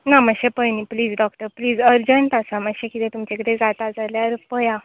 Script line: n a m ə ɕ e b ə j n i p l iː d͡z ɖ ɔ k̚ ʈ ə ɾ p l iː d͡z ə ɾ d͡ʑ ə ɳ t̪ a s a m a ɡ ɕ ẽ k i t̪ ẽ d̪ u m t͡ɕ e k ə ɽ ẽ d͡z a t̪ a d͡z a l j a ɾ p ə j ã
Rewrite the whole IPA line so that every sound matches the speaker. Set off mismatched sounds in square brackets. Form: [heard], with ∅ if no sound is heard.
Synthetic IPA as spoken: n a m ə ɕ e [p] ə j n i p l iː d͡z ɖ ɔ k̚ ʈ ə ɾ p l iː d͡z ə ɾ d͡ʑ ə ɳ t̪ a s a m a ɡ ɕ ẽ k i t̪ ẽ [t̪] u m t͡ɕ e k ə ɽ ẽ d͡z a t̪ a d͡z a l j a ɾ p ə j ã